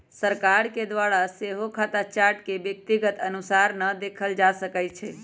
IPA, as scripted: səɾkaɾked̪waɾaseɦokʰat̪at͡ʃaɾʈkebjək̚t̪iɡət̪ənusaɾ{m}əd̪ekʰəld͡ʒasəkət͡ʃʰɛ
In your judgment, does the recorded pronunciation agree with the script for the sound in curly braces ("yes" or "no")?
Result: no